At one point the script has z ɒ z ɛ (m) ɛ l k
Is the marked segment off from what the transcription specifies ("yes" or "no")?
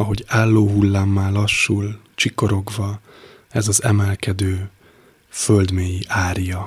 no